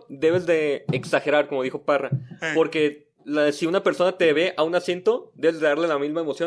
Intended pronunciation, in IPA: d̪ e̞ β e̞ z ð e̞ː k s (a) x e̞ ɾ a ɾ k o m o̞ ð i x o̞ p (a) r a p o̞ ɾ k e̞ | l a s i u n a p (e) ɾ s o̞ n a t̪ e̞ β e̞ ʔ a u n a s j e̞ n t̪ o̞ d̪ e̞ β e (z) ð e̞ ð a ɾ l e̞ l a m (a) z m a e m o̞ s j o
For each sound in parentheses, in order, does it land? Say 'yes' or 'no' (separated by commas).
yes, yes, yes, yes, no